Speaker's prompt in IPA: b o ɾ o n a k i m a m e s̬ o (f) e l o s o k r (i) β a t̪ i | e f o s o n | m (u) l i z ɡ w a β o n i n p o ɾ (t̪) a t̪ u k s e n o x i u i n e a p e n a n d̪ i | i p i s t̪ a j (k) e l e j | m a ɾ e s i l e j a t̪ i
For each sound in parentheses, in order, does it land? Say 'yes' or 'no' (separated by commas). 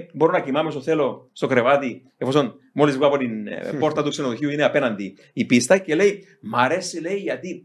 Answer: no, no, no, yes, yes